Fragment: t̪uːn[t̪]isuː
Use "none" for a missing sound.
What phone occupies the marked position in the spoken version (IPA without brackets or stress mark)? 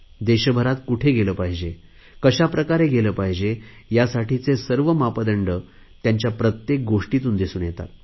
d̪